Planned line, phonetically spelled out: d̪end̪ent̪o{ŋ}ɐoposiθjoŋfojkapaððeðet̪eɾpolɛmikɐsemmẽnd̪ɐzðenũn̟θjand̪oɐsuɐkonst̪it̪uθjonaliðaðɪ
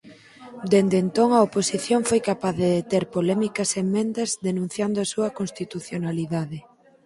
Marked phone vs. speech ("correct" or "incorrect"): correct